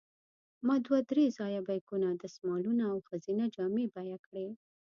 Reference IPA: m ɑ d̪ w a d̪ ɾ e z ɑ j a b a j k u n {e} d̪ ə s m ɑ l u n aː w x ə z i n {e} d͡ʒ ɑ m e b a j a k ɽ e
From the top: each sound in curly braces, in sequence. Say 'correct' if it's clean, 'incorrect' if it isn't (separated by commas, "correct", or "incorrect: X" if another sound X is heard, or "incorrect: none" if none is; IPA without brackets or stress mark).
incorrect: a, incorrect: a